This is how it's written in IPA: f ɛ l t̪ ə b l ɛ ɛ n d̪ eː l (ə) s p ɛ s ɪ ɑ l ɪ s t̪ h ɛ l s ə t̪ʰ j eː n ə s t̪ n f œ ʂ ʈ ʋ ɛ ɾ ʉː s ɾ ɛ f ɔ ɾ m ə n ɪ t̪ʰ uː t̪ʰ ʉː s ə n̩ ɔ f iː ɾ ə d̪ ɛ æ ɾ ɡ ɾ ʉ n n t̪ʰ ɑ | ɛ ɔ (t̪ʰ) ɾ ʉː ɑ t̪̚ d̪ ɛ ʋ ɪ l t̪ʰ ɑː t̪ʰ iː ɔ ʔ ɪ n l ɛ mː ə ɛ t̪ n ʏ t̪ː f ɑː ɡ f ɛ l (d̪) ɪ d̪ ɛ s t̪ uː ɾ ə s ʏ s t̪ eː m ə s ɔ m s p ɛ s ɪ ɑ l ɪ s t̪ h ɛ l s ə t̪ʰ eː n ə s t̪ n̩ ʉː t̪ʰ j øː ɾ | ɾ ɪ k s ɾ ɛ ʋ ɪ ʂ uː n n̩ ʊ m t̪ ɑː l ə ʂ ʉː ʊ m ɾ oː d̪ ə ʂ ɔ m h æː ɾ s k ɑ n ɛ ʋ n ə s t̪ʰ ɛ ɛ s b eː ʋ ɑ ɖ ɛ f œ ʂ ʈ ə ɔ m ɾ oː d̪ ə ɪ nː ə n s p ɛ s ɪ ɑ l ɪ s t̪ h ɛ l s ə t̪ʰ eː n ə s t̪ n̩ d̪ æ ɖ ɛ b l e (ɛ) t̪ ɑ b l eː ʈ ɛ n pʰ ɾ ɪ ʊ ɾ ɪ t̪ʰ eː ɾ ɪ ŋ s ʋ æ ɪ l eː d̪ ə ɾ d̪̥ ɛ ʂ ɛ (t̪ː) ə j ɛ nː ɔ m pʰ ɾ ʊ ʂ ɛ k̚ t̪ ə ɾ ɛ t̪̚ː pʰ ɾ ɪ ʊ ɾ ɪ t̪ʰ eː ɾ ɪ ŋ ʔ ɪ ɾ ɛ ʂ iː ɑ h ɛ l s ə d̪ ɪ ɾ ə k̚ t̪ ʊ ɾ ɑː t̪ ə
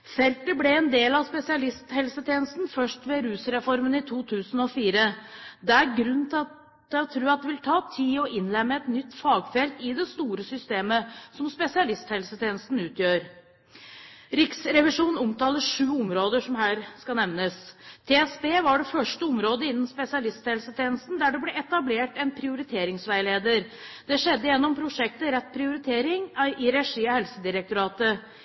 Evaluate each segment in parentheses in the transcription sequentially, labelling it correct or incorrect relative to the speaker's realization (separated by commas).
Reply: incorrect, correct, incorrect, correct, incorrect